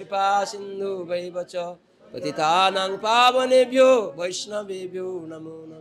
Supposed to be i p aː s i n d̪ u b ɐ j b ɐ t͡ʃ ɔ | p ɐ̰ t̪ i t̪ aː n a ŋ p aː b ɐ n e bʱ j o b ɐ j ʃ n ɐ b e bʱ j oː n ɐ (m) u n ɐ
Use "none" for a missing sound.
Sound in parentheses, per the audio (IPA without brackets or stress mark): m